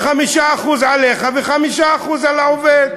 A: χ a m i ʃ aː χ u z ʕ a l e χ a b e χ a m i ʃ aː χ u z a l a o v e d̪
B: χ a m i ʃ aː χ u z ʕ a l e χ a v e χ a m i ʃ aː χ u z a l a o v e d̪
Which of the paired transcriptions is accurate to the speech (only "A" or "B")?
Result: B